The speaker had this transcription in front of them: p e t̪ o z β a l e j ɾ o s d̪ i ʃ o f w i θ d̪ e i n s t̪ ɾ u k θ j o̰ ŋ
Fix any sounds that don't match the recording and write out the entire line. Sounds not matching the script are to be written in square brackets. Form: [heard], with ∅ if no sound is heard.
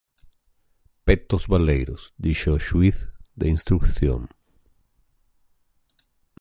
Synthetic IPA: p e t̪ o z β a l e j ɾ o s d̪ i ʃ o [ʃ] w i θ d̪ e i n s t̪ ɾ u k θ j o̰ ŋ

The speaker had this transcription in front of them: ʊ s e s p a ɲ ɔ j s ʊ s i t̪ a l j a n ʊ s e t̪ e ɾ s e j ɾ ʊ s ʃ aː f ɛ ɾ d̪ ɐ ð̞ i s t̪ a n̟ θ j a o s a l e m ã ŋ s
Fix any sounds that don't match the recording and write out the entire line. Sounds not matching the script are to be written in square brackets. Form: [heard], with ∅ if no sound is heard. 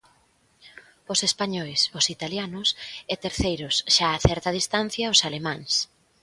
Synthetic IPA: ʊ s e s p a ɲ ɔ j s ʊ s i t̪ a l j a n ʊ s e t̪ e ɾ [θ] e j ɾ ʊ s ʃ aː [θ] ɛ ɾ [t̪] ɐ ð̞ i s t̪ a n̟ θ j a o s a l e m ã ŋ s

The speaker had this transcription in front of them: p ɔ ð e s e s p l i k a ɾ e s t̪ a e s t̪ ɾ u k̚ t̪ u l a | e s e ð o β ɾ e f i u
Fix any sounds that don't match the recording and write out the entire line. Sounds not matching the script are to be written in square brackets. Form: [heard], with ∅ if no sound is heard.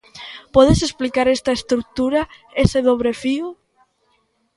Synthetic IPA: p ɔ ð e s e s p l i k a ɾ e s t̪ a e s t̪ ɾ u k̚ t̪ u [ɾ] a | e s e ð o β ɾ e f i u

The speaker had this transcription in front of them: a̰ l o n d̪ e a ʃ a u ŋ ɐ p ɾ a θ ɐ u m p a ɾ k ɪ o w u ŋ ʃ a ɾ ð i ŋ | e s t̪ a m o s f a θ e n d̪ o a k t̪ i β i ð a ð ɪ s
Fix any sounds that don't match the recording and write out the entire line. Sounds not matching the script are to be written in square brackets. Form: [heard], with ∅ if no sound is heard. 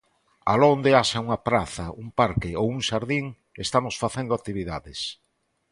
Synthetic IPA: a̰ l o n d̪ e a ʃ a u ŋ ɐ p ɾ a θ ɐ u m p a ɾ k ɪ o w u ŋ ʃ a ɾ ð i ŋ | e s t̪ a m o s f a θ e n d̪ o a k t̪ i β i ð a ð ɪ s

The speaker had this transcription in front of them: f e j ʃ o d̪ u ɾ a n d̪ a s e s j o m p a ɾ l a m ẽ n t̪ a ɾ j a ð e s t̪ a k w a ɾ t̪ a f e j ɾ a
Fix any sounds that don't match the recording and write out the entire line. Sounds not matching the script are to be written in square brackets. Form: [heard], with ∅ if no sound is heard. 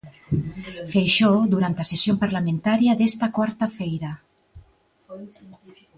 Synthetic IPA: f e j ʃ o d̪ u ɾ a n [t̪] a s e s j o m p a ɾ l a m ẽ n t̪ a ɾ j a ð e s t̪ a k w a ɾ t̪ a f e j ɾ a

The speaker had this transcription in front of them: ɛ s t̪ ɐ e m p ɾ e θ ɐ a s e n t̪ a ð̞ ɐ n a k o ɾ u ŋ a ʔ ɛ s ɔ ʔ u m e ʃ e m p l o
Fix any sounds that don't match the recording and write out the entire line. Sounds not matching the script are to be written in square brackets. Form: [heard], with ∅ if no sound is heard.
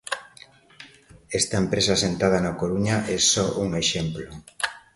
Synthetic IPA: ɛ s t̪ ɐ e m p ɾ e [s] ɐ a s e n t̪ a ð̞ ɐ n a k o ɾ u [ɲ] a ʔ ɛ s ɔ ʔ u [ŋ] e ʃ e m p l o

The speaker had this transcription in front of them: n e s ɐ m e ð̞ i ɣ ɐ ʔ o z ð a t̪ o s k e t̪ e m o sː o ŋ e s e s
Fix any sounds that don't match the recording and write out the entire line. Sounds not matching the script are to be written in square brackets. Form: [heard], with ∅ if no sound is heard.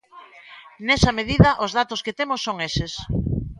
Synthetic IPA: n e s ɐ m e ð̞ i [ð] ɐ ʔ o z ð a t̪ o s k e t̪ e m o sː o ŋ e s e s

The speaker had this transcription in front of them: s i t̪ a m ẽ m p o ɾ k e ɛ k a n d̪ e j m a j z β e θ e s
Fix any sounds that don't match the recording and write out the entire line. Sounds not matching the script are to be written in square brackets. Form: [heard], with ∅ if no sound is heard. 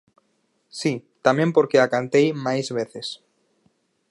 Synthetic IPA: s i t̪ a m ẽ m p o ɾ k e [a] k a n [t̪] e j m a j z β e θ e s

